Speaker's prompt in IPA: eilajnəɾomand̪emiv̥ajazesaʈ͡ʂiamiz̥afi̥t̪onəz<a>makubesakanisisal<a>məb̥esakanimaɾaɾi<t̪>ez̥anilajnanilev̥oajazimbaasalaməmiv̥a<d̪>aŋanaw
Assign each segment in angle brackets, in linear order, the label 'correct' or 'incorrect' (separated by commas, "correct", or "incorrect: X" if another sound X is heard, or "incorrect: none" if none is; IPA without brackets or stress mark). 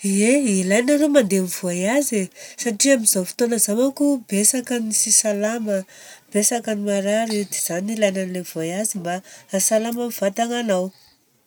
correct, correct, incorrect: d̪, incorrect: t̪